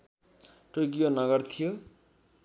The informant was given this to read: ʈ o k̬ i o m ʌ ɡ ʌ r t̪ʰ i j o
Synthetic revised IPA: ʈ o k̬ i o n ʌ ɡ ʌ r t̪ʰ i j o